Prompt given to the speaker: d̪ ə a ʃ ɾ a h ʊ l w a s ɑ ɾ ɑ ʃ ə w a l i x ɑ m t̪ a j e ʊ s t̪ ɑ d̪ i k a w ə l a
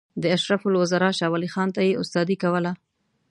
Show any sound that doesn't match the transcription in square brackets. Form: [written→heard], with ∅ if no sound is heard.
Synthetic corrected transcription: d̪ ə a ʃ ɾ a [h→f] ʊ l w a [s→z] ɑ ɾ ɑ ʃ [ə→ɑ] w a l i x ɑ [m→n] t̪ a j e ʊ s t̪ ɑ d̪ i k a w ə l a